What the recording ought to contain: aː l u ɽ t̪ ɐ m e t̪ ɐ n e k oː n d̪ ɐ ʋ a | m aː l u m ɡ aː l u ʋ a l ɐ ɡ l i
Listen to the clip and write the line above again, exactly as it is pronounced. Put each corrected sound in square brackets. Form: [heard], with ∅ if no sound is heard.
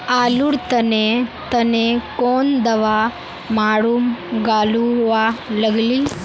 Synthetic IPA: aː l u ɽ t̪ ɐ [n] e t̪ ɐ n e k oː n d̪ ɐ ʋ a | m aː [ɽ] u m ɡ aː l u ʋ a l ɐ ɡ l i